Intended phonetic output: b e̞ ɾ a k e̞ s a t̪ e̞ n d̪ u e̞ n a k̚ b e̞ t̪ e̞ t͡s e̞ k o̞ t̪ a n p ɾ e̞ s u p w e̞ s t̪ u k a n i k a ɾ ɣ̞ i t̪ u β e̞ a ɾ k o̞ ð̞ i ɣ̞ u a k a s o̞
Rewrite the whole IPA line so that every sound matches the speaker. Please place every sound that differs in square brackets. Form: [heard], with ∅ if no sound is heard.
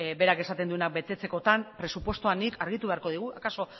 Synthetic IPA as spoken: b e̞ ɾ a k e̞ s a t̪ e̞ n d̪ u e̞ n a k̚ b e̞ t̪ e̞ t͡s e̞ k o̞ t̪ a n p ɾ e̞ s u p w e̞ s t̪ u [∅] a n i k a ɾ ɣ̞ i t̪ u β e̞ a ɾ k o̞ ð̞ i ɣ̞ u a k a s o̞